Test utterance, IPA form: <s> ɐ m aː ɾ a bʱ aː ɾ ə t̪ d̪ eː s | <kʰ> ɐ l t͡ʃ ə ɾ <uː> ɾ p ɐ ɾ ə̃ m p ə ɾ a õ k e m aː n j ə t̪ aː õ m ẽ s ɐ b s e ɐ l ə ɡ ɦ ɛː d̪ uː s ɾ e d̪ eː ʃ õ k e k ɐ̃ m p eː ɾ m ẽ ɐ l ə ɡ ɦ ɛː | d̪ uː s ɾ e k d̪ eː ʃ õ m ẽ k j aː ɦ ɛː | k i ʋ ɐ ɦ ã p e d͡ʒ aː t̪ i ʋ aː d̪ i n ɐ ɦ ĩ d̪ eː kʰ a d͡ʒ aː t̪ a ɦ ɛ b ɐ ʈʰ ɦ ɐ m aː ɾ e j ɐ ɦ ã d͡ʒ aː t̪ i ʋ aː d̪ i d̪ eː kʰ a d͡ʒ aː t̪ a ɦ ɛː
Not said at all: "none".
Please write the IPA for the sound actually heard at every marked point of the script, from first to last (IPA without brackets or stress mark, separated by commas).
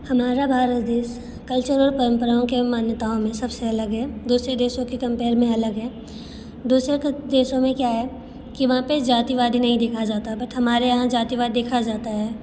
h, k, ɔː